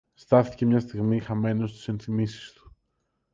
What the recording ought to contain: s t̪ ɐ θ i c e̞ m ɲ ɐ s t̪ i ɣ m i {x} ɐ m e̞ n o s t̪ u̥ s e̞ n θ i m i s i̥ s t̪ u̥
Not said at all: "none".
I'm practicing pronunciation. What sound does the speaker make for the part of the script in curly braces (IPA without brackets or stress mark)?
x